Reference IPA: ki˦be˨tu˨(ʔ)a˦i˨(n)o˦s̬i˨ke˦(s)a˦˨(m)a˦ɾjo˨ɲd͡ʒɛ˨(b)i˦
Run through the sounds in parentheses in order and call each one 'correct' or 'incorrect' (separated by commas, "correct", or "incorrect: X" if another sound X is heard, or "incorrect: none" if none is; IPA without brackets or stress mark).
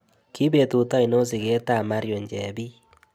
incorrect: t, correct, incorrect: t, correct, correct